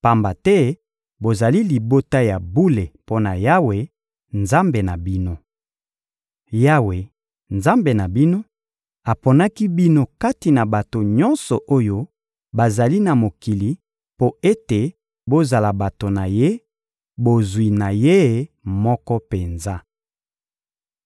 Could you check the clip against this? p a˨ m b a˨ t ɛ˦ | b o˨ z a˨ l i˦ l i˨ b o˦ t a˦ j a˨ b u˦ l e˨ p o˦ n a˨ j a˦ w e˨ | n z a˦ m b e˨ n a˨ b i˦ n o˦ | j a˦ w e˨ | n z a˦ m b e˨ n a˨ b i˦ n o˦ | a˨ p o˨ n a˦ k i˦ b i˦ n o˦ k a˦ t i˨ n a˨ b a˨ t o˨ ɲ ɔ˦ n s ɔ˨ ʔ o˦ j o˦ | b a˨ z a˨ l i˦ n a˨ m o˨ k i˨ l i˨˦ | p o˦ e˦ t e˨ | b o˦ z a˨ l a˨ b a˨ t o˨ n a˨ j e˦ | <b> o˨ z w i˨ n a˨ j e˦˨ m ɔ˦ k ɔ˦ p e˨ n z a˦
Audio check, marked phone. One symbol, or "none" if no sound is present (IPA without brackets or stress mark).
b